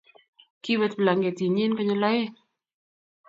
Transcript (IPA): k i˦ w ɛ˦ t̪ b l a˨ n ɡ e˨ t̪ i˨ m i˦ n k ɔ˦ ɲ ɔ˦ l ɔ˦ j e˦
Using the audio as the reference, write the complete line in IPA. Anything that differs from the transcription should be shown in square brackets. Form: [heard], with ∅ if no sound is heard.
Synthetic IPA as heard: k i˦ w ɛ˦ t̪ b l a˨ [ŋ] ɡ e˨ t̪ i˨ [ɲ] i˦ n k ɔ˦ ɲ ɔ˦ l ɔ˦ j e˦